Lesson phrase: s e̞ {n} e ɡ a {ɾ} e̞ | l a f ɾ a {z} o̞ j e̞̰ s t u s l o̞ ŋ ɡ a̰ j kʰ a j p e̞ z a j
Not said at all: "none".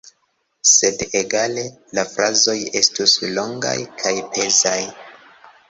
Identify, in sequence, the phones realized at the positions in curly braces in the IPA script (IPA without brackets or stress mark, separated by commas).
d, l, z